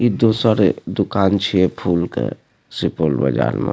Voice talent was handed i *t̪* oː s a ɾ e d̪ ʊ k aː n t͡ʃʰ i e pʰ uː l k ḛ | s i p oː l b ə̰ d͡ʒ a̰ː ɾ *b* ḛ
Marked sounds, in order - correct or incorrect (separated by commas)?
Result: incorrect, incorrect